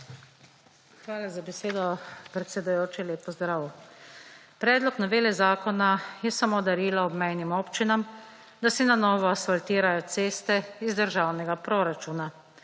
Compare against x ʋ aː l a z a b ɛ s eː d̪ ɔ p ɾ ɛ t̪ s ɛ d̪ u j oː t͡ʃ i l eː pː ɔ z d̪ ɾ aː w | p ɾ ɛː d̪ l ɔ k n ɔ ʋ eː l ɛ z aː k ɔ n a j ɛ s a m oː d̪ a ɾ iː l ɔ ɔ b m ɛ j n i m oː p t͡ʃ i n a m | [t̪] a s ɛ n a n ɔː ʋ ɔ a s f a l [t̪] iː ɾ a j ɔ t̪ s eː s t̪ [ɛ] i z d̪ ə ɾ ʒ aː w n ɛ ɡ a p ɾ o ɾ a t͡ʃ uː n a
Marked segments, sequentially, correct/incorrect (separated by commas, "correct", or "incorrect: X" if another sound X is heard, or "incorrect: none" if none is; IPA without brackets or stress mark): incorrect: d̪, correct, correct